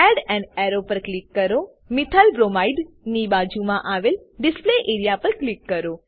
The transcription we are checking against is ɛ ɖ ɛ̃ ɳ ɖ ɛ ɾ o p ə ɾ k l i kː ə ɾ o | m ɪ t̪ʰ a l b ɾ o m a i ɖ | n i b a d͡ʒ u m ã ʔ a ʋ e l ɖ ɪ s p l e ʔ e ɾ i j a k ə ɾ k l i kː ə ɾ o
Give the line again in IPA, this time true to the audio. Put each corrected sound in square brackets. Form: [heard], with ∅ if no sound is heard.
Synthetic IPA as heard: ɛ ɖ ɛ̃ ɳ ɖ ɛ ɾ o p ə ɾ k l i kː ə ɾ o | m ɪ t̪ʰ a l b ɾ o m a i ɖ | n i b a d͡ʒ u m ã ʔ a ʋ e l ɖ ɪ s p l e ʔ e ɾ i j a [p] ə ɾ k l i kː ə ɾ o